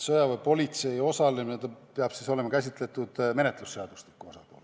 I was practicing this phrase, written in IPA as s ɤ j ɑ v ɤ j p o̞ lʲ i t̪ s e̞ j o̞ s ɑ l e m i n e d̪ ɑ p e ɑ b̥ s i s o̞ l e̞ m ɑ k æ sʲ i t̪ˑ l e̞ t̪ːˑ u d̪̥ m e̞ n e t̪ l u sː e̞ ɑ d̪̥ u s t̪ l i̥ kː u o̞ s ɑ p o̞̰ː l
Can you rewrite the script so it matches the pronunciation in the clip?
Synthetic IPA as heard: s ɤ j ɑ v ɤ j p o̞ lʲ i t̪ s e̞ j o̞ s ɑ l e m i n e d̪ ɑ p e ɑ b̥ s i s o̞ l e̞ m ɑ k æ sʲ i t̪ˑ l e̞ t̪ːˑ u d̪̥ m e̞ n e t̪ l u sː e̞ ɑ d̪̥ u s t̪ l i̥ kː u o̞ s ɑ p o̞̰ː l